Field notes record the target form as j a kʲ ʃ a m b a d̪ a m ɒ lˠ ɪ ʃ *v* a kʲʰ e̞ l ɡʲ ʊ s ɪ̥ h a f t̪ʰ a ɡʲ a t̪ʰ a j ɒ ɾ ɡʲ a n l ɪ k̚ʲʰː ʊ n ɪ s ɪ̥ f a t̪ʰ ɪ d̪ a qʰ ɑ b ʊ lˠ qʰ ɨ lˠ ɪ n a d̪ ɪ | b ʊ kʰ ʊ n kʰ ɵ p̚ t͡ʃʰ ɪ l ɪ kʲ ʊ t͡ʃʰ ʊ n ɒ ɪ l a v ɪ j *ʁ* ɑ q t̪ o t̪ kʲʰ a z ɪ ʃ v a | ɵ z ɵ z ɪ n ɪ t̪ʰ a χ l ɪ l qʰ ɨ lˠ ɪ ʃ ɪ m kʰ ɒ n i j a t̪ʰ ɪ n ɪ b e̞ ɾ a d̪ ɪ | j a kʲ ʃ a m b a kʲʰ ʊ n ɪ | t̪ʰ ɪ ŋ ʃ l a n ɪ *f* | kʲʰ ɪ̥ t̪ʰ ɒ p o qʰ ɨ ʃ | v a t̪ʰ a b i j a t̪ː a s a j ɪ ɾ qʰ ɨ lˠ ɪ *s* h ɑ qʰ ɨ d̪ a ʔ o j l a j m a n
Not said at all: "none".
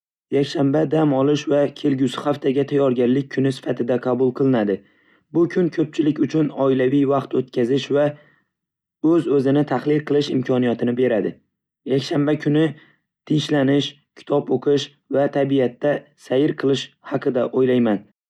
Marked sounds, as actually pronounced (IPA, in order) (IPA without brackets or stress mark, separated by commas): v, v, ʃ, ʃ